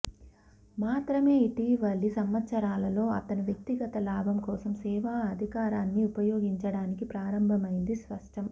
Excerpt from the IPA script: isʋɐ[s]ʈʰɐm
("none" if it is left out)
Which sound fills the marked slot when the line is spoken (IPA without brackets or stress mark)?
ʂ